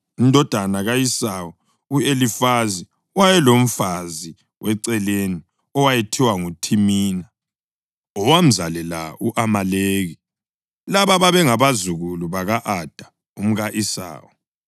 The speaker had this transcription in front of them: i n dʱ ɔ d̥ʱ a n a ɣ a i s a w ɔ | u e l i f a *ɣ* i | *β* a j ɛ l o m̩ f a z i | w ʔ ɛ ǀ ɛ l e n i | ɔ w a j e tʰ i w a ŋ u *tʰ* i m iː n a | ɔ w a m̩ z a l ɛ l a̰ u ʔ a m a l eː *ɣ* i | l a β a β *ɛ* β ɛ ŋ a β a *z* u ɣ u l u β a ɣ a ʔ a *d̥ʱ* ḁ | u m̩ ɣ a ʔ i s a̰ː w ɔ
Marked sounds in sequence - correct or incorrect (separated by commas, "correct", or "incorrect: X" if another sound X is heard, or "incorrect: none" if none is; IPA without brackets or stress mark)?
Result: incorrect: z, incorrect: w, correct, correct, incorrect: a, correct, correct